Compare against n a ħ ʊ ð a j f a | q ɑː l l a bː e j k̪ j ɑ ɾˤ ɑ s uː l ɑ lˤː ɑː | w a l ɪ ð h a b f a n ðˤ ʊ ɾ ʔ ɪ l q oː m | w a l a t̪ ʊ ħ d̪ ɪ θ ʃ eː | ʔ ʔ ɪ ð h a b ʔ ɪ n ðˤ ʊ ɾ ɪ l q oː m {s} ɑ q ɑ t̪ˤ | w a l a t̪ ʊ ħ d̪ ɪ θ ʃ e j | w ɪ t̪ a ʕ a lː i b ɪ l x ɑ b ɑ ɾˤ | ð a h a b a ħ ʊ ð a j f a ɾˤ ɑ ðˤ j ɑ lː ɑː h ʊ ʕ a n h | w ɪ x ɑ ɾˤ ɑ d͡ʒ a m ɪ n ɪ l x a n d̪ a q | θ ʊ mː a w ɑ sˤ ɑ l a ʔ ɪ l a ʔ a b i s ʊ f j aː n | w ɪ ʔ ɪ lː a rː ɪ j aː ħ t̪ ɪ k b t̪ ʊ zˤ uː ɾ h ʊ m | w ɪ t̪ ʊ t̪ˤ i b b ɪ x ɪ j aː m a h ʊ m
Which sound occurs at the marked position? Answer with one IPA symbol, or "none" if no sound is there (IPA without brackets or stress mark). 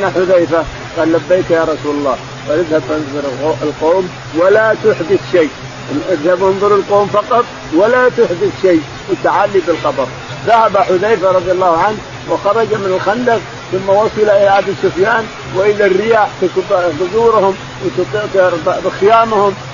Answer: f